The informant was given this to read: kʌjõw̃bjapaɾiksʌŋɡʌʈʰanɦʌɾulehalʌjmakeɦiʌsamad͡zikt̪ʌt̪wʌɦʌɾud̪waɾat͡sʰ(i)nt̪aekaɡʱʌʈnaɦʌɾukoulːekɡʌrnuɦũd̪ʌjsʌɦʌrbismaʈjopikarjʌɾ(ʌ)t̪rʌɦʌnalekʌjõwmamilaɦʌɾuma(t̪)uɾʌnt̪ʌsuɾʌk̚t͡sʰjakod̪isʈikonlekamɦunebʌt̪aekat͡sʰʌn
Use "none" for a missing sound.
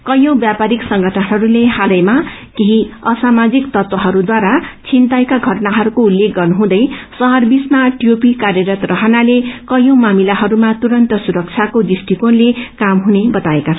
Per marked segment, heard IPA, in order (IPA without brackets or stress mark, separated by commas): i, ʌ, t̪